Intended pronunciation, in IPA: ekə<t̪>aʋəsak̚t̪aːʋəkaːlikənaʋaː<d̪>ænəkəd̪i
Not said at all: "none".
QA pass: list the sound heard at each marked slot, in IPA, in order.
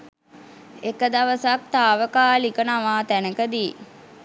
d̪, t̪

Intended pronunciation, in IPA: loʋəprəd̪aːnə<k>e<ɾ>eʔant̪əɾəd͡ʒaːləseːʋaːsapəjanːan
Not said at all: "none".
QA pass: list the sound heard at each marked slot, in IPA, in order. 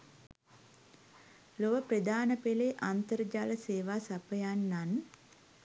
p, l

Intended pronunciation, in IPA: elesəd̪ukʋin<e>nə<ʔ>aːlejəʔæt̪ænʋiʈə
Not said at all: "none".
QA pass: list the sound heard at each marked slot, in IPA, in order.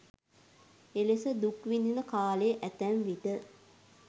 i, k

